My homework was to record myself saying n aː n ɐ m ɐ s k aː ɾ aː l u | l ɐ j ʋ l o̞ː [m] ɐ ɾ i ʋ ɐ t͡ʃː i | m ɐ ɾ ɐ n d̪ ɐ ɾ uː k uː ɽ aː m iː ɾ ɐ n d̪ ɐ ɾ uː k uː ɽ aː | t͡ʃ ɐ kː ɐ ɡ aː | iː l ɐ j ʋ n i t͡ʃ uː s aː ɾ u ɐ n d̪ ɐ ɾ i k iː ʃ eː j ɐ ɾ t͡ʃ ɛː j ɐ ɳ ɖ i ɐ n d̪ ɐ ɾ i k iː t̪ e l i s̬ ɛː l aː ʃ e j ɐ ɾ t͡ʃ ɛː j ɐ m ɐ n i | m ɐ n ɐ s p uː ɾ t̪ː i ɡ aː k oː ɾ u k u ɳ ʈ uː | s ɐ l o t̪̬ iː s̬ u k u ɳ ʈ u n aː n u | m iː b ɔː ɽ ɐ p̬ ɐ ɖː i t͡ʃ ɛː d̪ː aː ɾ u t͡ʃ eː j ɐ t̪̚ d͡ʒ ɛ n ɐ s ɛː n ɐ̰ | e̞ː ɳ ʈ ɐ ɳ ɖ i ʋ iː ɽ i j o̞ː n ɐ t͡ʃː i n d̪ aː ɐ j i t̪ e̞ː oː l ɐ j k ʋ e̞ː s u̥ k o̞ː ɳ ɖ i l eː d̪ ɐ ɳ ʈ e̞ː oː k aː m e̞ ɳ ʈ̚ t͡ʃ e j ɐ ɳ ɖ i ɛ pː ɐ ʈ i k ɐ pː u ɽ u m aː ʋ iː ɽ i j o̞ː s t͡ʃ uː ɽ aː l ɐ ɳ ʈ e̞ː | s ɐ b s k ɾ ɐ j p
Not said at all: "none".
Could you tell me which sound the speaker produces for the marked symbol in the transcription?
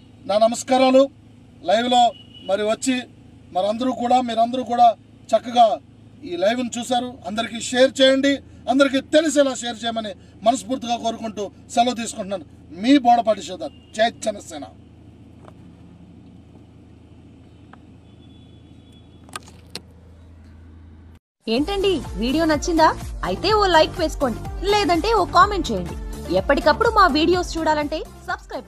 m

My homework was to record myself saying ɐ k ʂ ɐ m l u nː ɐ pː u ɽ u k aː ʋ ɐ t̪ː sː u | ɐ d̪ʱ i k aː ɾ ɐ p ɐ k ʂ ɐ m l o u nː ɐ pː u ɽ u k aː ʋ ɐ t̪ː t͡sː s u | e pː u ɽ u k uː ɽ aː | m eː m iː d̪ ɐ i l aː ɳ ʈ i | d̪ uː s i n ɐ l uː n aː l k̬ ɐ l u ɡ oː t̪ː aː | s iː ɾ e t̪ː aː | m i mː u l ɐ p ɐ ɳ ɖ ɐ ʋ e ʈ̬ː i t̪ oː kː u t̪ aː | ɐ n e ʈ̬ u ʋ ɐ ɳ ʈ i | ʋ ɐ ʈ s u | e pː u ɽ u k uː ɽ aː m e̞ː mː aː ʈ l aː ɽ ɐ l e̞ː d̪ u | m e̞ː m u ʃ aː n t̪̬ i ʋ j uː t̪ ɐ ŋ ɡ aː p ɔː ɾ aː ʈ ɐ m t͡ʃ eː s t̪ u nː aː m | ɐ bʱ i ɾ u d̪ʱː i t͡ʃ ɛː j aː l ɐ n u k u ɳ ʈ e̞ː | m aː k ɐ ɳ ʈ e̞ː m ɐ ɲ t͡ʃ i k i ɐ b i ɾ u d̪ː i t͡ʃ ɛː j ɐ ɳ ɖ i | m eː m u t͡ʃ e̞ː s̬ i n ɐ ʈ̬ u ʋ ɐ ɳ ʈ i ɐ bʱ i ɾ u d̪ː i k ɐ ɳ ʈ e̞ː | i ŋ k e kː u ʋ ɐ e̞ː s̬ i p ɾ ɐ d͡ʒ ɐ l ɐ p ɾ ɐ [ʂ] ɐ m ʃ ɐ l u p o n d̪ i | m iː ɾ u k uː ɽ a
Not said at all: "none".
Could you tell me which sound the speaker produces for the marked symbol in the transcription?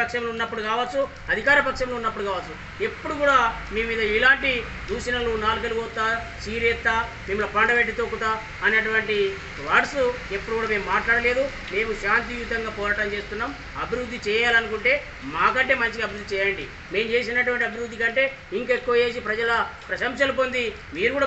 ʃ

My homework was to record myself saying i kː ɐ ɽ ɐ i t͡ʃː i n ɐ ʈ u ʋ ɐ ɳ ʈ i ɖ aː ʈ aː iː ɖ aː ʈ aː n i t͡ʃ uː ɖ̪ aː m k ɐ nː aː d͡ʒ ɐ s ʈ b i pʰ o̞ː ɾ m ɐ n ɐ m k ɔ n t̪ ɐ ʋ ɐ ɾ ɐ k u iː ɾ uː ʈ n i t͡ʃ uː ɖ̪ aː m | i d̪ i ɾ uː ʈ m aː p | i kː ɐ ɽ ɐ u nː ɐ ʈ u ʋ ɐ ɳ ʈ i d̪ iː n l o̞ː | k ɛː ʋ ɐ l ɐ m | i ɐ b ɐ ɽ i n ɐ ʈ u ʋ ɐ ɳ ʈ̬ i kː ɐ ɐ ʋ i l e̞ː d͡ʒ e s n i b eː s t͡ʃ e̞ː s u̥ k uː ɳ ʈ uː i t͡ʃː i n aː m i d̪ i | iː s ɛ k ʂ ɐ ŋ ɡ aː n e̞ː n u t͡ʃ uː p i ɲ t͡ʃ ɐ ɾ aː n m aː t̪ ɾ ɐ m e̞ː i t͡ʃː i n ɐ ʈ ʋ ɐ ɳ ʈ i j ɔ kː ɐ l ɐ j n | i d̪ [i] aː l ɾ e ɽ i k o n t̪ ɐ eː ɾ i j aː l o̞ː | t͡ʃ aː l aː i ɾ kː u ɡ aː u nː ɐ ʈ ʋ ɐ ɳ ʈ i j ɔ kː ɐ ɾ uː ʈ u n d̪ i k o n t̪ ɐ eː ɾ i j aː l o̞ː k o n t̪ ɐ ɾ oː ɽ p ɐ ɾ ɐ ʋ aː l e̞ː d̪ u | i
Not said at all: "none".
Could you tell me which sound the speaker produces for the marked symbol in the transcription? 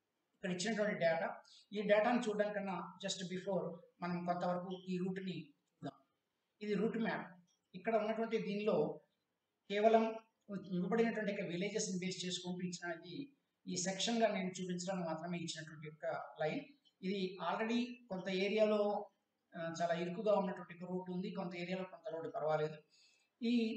i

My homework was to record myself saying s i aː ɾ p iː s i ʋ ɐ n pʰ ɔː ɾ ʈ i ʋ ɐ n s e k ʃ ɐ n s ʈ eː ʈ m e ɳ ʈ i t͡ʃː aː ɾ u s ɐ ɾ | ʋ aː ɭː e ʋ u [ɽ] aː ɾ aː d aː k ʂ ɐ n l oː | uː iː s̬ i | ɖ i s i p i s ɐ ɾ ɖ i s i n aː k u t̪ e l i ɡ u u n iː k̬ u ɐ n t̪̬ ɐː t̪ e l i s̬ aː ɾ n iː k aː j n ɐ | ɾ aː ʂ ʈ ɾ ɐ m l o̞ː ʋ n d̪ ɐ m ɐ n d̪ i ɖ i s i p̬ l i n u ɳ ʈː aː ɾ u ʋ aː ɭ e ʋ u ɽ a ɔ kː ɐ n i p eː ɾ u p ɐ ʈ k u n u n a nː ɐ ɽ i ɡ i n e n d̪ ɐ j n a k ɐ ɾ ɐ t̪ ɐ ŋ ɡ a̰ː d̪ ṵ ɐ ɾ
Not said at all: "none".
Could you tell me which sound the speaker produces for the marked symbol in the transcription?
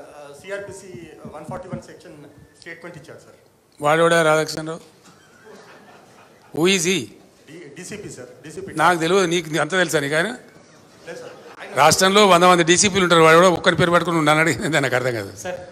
ɽ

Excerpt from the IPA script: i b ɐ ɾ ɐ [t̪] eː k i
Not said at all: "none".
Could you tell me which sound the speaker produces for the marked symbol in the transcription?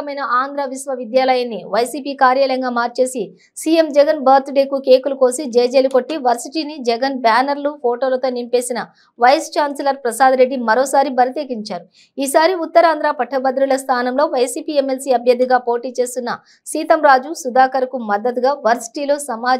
t̪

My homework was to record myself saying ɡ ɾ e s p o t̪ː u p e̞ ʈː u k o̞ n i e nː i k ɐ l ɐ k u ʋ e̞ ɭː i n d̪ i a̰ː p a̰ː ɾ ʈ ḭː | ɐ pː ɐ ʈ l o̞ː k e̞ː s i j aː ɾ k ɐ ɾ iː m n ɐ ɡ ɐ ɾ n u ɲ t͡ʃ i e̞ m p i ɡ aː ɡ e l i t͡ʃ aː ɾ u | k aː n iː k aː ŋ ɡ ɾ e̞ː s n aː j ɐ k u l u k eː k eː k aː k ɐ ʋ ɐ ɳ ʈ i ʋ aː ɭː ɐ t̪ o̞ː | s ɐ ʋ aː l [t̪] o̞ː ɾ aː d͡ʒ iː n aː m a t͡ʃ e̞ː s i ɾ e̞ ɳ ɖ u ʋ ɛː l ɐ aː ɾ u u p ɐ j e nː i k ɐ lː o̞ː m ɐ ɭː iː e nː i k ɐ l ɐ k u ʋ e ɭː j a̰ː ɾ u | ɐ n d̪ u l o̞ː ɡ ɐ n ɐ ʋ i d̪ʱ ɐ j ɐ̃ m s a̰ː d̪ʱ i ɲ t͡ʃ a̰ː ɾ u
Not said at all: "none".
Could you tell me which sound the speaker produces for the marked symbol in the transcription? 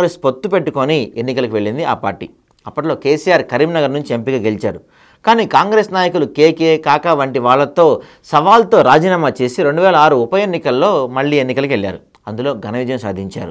t̪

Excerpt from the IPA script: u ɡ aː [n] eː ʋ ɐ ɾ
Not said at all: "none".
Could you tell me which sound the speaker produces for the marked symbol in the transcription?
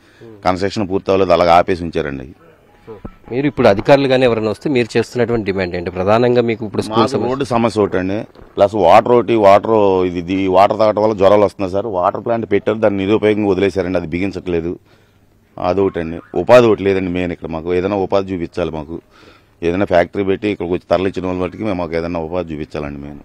n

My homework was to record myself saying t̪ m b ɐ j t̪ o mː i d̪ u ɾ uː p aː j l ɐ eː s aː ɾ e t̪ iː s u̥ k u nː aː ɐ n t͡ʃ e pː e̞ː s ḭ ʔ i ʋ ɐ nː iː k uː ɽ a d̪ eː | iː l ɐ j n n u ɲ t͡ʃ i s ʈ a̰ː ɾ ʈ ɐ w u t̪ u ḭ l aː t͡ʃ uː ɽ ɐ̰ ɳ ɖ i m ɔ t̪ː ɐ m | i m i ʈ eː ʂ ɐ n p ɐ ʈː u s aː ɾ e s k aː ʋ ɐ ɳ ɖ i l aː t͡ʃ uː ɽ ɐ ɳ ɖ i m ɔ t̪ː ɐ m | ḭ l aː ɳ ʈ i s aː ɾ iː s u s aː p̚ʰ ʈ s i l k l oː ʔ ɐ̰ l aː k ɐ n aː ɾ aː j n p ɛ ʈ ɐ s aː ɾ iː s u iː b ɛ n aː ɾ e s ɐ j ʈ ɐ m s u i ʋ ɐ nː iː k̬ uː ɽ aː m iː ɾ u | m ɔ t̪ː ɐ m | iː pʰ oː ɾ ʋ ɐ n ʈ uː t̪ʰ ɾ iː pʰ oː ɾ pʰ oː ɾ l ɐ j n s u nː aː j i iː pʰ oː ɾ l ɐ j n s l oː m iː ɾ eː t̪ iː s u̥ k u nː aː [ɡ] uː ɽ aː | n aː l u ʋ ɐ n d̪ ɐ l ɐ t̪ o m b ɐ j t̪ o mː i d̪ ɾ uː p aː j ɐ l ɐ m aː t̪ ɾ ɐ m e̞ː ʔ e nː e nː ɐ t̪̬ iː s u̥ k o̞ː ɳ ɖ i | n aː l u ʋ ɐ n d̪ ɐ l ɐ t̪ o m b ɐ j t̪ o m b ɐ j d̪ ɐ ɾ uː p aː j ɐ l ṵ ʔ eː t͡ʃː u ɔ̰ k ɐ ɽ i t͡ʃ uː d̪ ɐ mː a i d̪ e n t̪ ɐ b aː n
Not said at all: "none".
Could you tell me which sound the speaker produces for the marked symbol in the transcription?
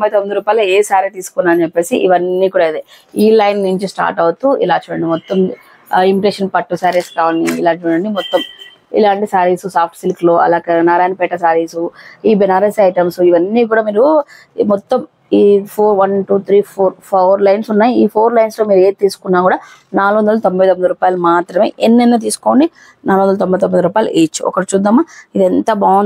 k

